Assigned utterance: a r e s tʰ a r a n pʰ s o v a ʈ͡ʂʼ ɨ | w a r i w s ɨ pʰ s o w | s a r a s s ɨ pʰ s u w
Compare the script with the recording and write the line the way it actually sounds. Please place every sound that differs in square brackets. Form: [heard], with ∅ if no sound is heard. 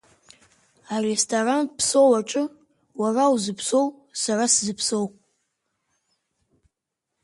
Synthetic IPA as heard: a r e s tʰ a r a n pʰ s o [w] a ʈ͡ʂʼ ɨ | w a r [a] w [z] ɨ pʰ s o w | s a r a s [z] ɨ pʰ s [o] w